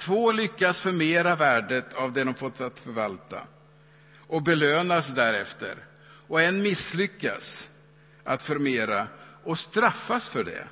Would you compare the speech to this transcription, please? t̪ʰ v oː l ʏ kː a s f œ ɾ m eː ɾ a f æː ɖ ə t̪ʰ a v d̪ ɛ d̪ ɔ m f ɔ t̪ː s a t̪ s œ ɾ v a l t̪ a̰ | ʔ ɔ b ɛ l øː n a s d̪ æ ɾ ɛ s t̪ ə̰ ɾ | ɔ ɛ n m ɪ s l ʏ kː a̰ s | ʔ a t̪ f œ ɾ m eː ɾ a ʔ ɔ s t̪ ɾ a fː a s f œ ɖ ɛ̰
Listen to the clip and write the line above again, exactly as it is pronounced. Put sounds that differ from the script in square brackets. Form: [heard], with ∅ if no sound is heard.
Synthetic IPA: t̪ʰ v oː l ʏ kː a s f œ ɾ m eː ɾ a [v] æː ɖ ə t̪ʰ a v d̪ ɛ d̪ ɔ m f ɔ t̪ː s a t̪ [f] œ ɾ v a l t̪ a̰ | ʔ ɔ b ɛ l øː n a s d̪ æ ɾ ɛ [f] t̪ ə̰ ɾ | ɔ ɛ n m ɪ s l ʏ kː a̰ s | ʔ a t̪ f œ ɾ m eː ɾ a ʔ ɔ s t̪ ɾ a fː a s f œ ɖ ɛ̰